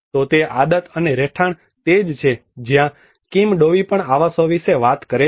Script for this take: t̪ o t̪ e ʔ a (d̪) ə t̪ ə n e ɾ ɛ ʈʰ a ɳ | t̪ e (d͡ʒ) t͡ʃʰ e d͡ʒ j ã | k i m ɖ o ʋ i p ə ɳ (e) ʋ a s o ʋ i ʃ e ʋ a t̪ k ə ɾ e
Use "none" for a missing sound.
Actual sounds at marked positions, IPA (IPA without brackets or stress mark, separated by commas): d̪, d͡ʒ, a